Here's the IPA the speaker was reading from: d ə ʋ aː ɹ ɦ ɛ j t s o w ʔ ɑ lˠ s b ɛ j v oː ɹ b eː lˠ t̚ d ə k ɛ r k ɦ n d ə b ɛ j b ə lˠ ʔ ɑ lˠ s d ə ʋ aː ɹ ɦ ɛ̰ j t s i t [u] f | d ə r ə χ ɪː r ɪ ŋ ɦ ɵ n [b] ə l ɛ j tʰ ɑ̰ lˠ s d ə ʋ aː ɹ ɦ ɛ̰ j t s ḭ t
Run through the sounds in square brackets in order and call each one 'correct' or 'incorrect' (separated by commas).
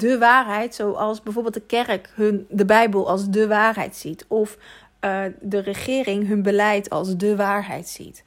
incorrect, correct